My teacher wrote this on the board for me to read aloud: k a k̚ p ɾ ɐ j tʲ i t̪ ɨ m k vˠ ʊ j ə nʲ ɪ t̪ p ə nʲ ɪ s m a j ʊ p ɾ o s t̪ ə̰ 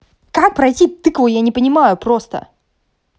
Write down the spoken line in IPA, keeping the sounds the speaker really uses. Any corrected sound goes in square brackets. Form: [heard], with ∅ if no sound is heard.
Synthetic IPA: k a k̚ p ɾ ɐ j tʲ i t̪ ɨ [∅] k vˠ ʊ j [a] nʲ ɪ [∅] p ə nʲ ɪ [∅] m a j ʊ p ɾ o s t̪ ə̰